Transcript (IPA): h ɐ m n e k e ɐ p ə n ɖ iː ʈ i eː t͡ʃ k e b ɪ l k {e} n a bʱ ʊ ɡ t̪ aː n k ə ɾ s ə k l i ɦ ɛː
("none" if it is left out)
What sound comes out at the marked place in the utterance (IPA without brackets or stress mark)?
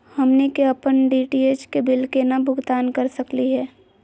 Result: e